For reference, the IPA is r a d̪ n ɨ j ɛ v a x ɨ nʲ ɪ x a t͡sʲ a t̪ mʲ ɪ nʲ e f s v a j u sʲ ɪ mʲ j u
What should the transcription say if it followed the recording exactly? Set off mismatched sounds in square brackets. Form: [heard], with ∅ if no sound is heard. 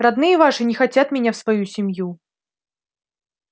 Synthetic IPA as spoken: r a d̪ n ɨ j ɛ v a [ʂ] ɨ nʲ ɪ x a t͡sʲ a t̪ mʲ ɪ nʲ [a] f s v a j u sʲ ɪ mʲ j u